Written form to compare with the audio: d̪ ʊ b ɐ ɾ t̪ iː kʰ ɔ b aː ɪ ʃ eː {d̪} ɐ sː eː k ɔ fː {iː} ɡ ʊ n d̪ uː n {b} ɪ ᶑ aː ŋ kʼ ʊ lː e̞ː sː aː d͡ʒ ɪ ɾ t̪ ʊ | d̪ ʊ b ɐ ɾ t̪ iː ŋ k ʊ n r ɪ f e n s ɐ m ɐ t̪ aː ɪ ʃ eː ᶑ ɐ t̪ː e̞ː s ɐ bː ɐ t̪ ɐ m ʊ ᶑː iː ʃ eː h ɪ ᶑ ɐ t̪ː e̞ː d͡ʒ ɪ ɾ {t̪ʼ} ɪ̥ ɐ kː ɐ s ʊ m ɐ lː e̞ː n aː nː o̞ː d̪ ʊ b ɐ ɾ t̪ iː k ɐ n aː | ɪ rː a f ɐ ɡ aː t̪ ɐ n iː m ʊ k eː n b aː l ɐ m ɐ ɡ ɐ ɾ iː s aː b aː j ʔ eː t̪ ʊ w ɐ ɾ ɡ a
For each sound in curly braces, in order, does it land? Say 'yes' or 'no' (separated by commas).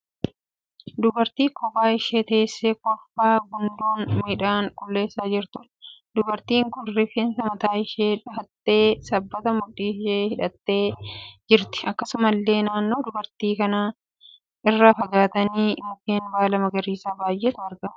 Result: no, no, no, no